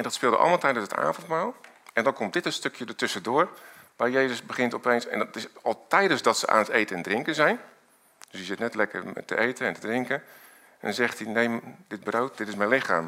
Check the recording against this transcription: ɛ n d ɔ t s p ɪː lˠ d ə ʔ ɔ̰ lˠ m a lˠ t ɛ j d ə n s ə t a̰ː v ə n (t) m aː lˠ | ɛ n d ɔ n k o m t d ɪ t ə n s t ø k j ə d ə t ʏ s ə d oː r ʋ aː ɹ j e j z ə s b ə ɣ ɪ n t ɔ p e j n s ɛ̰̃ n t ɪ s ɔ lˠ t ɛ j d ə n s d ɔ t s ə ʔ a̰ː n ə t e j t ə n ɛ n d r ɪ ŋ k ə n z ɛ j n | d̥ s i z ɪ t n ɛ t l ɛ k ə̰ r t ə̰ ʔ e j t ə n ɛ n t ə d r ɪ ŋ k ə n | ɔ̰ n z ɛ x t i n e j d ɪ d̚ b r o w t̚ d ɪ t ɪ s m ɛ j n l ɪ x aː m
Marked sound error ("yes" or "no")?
no